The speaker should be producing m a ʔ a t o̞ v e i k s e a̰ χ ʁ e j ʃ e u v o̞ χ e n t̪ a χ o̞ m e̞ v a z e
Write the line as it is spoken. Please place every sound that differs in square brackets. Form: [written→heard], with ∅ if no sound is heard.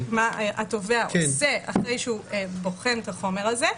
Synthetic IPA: m a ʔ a t o̞ v e [i→a] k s e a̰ χ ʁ e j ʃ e u [v→b] o̞ χ e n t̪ a χ o̞ m e̞ [v→ʁ] a z e